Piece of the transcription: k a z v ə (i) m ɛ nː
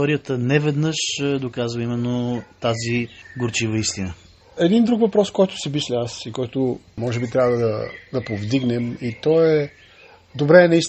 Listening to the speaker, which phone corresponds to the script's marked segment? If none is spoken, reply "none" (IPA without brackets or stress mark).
i